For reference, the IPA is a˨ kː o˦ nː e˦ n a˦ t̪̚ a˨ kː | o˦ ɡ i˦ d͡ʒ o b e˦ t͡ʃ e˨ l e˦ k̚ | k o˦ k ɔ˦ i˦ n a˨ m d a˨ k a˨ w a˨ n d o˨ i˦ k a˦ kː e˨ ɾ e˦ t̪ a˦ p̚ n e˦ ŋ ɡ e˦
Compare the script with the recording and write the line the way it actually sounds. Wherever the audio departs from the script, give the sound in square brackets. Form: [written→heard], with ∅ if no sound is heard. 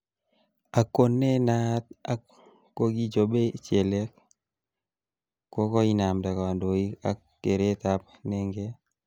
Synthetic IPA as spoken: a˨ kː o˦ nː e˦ n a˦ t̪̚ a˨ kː | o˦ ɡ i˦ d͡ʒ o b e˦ t͡ʃ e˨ l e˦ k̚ | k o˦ k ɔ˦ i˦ n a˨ m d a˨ k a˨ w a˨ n d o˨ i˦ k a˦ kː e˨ ɾ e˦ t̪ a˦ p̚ n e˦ ŋ ɡ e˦